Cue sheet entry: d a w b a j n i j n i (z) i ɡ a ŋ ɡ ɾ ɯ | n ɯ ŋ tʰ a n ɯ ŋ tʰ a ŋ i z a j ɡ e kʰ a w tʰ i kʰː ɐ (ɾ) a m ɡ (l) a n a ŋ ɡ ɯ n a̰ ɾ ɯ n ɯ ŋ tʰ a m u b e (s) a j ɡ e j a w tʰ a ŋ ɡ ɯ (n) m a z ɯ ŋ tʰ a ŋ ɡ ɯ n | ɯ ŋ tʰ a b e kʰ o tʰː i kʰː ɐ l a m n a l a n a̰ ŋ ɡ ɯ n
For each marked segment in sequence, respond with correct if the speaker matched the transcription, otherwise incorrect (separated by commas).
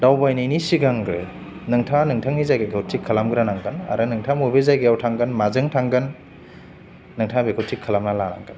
incorrect, incorrect, incorrect, incorrect, correct